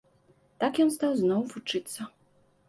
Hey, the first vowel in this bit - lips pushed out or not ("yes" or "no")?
no